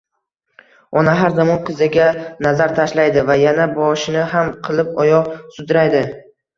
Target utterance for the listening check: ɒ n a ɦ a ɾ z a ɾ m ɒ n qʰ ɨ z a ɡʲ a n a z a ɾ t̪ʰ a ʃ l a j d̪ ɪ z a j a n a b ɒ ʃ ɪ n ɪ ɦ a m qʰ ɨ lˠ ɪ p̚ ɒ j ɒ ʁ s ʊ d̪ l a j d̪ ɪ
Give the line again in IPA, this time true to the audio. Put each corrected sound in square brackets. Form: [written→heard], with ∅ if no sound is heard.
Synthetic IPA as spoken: ɒ n a ɦ a ɾ z a [ɾ→∅] m ɒ n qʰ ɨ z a ɡʲ a n a z a ɾ t̪ʰ a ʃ l a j d̪ ɪ [z→v] a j a n a b ɒ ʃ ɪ n ɪ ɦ a m qʰ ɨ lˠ ɪ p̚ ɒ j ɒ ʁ s ʊ d̪ [l→ɾ] a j d̪ ɪ

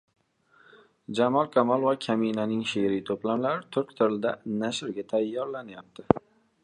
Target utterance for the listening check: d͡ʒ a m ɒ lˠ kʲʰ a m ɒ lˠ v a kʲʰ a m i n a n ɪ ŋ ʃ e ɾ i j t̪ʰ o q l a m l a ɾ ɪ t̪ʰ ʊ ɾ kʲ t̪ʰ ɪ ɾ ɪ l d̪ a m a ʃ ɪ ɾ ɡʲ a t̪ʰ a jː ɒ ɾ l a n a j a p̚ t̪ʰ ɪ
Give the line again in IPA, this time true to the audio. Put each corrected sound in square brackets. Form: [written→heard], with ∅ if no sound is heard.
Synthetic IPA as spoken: d͡ʒ a m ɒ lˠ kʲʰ a m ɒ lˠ v a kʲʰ a m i n a n ɪ ŋ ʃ e ɾ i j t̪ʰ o [q→p] l a m l a ɾ ɪ t̪ʰ ʊ ɾ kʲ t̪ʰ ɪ ɾ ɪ l d̪ a [m→n] a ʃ ɪ ɾ ɡʲ a t̪ʰ a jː ɒ ɾ l a n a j a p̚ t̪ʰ ɪ

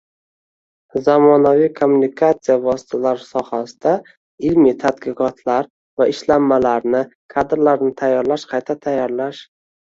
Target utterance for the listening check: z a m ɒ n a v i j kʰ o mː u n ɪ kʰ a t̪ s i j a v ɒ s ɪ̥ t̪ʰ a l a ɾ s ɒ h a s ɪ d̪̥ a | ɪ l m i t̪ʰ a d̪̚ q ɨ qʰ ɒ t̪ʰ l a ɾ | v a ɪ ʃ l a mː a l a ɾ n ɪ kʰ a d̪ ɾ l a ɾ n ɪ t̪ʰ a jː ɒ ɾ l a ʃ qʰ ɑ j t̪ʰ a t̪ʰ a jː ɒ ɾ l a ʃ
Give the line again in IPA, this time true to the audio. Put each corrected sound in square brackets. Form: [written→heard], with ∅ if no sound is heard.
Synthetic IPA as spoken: z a m ɒ n a v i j kʰ o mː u n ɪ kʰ a t̪ s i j a v ɒ s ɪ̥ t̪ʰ a l a ɾ s ɒ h a s ɪ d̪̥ a | ɪ l m i t̪ʰ a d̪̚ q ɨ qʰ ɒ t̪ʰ l a ɾ | v a ɪ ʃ l a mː a l a ɾ n ɪ kʰ a d̪ ɾ l a ɾ n ɪ t̪ʰ a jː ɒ ɾ l a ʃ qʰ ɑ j t̪ʰ a t̪ʰ a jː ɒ ɾ l a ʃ

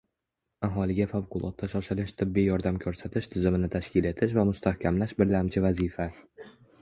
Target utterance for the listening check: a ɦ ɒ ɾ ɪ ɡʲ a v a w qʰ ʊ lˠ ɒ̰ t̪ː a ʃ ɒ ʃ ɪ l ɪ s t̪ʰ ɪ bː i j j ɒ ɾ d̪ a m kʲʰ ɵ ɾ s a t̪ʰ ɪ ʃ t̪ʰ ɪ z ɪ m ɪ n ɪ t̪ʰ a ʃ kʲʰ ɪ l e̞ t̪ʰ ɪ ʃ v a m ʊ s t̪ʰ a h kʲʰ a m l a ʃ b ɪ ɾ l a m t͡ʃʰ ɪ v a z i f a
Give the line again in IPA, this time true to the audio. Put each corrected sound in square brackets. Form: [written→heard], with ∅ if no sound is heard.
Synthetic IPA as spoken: a ɦ ɒ [ɾ→l] ɪ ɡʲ a [v→f] a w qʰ ʊ lˠ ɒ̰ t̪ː a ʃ ɒ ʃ ɪ l ɪ [s→ʃ] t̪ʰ ɪ bː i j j ɒ ɾ d̪ a m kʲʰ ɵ ɾ s a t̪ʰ ɪ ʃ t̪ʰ ɪ z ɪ m ɪ n ɪ t̪ʰ a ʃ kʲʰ ɪ l e̞ t̪ʰ ɪ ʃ v a m ʊ s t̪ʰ a h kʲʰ a m l a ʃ b ɪ ɾ l a m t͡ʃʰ ɪ v a z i f a

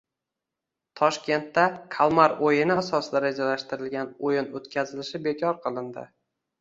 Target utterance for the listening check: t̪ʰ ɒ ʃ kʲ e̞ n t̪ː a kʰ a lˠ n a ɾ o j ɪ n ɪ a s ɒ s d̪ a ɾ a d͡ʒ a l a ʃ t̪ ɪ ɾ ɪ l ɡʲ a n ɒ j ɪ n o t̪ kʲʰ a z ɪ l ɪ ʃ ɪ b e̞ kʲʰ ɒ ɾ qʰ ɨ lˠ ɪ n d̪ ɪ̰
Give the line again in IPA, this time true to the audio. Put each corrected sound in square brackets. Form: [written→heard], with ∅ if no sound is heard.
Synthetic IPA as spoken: t̪ʰ ɒ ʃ kʲ e̞ n t̪ː a kʰ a lˠ [n→m] a ɾ o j ɪ n ɪ a s ɒ s d̪ a ɾ a d͡ʒ a l a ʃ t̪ ɪ ɾ ɪ l ɡʲ a n [ɒ→o] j ɪ n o t̪ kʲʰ a z ɪ l ɪ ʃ ɪ b e̞ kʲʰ ɒ ɾ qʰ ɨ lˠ ɪ n d̪ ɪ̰

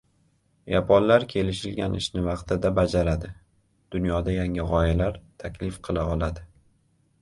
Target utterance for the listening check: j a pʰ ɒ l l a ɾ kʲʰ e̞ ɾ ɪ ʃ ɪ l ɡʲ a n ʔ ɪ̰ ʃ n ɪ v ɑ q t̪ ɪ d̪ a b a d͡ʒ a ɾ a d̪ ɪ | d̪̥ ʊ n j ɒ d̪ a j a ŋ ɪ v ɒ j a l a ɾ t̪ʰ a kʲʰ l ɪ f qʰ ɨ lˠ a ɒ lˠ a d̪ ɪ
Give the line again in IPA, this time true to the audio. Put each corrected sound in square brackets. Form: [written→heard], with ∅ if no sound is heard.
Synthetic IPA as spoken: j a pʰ ɒ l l a ɾ kʲʰ e̞ [ɾ→l] ɪ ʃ ɪ l ɡʲ a n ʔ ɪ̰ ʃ n ɪ v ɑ q t̪ ɪ d̪ a b a d͡ʒ a ɾ a d̪ ɪ | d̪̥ ʊ n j ɒ d̪ a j a ŋ ɪ [v→ʁ] ɒ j a l a ɾ t̪ʰ a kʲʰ l ɪ f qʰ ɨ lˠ a ɒ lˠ a d̪ ɪ

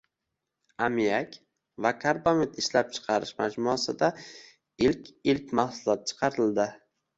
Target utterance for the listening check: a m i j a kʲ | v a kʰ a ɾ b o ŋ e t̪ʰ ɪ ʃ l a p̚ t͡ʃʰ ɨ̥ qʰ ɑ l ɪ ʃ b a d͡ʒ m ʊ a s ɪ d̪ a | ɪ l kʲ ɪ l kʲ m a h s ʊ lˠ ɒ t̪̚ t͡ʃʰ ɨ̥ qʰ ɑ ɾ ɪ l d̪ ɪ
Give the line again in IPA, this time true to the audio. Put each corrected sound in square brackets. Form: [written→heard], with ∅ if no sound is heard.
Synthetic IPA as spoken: a m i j a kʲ | v a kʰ a ɾ b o [ŋ→m] e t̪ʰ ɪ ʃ l a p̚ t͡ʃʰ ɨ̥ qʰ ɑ [l→ɾ] ɪ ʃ [b→m] a d͡ʒ m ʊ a s ɪ d̪ a | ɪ l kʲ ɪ l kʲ m a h s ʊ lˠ ɒ t̪̚ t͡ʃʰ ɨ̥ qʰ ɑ ɾ ɪ l d̪ ɪ

